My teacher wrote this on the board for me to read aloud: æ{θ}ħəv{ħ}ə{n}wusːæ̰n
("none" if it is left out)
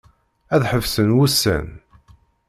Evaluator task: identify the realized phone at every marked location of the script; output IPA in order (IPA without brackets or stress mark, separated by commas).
ð, s, n